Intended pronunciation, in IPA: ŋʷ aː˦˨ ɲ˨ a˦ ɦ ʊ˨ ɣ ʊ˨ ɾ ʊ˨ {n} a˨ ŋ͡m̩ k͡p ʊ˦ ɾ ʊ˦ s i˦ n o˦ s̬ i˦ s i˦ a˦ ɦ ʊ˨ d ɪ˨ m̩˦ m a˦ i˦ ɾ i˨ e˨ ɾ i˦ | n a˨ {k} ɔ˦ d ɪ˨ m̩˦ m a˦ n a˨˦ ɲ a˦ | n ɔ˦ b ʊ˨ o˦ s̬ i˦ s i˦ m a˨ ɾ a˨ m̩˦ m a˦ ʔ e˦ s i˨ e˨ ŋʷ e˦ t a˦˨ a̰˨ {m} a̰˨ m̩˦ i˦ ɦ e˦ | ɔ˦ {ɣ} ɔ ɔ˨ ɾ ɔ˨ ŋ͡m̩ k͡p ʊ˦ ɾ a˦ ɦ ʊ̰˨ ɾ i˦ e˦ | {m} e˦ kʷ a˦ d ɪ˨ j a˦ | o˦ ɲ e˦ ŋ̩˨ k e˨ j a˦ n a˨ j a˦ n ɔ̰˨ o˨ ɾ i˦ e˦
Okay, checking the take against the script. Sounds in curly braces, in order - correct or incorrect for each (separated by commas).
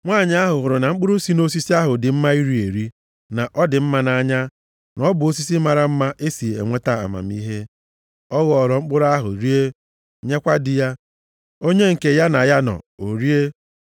correct, incorrect, correct, correct, incorrect